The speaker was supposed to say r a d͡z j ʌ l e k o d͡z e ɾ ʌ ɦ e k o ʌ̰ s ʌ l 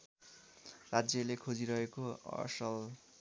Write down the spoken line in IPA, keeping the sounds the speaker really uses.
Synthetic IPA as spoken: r a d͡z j ʌ l e kʰ o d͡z i ɾ ʌ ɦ e k o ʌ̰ s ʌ l